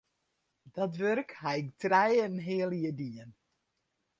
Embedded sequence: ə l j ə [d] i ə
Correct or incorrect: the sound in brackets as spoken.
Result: correct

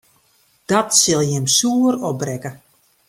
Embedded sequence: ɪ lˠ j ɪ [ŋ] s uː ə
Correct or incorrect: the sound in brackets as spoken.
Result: incorrect: m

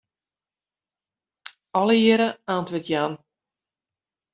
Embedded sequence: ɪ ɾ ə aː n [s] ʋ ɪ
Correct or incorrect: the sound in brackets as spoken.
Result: incorrect: t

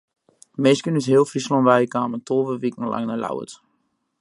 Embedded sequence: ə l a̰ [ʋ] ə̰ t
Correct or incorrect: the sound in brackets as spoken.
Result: incorrect: w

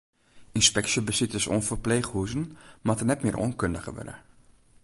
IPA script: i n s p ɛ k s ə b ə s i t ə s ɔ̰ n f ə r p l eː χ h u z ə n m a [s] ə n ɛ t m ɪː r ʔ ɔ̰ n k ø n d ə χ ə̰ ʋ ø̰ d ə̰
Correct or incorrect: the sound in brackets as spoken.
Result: incorrect: t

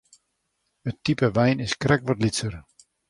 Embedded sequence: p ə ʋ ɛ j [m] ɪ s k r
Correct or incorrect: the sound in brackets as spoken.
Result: incorrect: n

